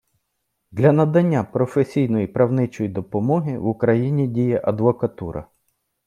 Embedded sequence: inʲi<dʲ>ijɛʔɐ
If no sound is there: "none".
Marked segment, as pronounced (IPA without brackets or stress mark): dʲ